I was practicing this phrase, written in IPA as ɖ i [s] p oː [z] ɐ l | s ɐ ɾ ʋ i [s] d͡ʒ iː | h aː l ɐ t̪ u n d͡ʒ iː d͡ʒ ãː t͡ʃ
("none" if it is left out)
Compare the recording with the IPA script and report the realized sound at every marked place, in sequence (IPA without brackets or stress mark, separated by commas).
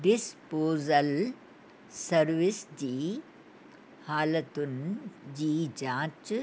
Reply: s, z, s